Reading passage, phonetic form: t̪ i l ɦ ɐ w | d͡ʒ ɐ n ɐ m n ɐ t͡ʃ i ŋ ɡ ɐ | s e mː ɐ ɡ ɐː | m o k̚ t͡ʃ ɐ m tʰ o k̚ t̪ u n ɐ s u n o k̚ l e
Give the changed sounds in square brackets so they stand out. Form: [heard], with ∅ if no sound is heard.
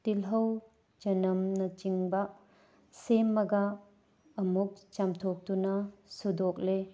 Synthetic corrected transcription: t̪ i l ɦ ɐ w | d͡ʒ ɐ n ɐ m n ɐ t͡ʃ i ŋ [b] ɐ | s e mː ɐ ɡ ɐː | m [u] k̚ t͡ʃ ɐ m tʰ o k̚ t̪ u n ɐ s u [d] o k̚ l e